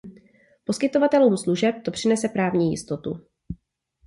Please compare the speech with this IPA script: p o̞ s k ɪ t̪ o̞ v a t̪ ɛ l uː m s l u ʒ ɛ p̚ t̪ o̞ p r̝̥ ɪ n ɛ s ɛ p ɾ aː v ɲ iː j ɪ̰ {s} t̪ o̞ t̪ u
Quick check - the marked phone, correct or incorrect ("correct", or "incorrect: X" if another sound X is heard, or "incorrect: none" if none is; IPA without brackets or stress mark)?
correct